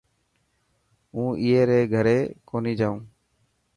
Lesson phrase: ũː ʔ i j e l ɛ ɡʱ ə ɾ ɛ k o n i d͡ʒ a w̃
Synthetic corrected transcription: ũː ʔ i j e ɾ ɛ ɡʱ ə ɾ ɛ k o n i d͡ʒ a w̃

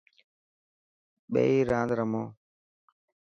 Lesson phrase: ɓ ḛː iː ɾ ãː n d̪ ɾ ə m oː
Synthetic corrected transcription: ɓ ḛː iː ɾ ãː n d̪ ɾ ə m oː

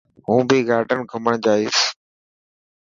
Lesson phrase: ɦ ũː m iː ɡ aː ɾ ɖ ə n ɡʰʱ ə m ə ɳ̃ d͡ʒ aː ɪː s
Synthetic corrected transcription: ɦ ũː b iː ɡ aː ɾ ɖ ə n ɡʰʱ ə m ə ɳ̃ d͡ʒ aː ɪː s

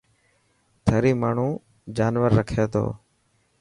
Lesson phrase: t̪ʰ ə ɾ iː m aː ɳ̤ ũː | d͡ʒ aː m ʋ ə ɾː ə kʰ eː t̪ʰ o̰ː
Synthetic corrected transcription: t̪ʰ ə ɾ iː m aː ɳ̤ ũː | d͡ʒ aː n ʋ ə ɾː ə kʰ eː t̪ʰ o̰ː

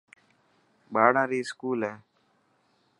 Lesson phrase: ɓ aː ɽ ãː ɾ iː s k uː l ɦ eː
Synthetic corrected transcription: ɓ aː ɽ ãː ɾ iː s k uː l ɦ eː

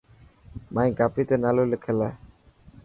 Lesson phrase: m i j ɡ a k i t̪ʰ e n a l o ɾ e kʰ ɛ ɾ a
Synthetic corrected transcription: m a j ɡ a p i t̪ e n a l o l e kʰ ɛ l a

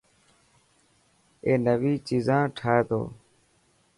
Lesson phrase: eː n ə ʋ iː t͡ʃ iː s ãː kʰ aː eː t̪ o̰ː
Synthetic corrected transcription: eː n ə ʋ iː t͡ʃ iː z ãː ʈʰ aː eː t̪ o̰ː

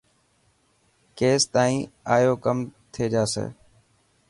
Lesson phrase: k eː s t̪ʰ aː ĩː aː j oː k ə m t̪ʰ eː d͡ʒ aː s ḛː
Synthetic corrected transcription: k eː s t̪ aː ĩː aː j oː k ə m t̪ʰ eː d͡ʒ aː s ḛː

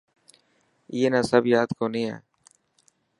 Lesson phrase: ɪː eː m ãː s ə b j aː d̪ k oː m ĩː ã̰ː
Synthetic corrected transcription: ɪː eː n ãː s ə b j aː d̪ k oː n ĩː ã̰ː

